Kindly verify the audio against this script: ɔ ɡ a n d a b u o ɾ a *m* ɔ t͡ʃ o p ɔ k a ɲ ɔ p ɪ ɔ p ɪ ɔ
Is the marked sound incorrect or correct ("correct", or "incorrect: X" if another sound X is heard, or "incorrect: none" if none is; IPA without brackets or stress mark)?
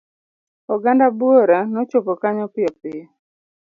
incorrect: n